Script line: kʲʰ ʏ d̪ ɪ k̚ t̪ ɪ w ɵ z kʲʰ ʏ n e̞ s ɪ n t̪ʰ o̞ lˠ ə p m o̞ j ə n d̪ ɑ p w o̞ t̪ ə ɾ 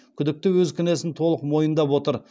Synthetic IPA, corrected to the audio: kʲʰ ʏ d̪ ɪ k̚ t̪ ɪ w ɵ z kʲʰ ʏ n e̞ s ɪ n t̪ʰ o̞ lˠ ə q m o̞ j ə n d̪ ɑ p w o̞ t̪ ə ɾ